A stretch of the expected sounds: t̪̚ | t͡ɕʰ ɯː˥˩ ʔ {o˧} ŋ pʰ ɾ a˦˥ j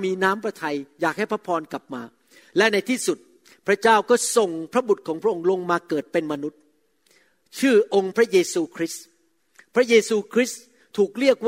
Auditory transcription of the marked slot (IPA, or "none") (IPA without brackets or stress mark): o˧